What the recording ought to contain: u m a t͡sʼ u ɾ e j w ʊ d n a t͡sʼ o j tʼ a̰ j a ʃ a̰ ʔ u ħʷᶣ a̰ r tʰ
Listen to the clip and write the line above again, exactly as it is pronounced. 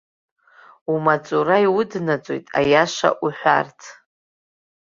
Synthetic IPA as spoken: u m a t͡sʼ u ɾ a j w ʊ d n a t͡sʼ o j tʼ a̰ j a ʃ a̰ ʔ u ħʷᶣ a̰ r tʰ